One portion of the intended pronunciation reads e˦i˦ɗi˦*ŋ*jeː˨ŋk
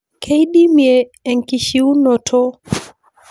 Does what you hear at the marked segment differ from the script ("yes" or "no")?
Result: yes